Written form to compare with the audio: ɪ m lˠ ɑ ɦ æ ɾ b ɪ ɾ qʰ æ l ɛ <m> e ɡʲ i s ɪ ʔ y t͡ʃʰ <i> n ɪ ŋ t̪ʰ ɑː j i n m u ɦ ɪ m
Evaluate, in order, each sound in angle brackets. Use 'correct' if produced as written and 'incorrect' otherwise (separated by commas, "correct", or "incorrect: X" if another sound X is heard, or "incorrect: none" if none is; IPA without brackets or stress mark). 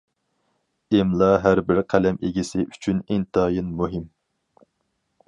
correct, incorrect: y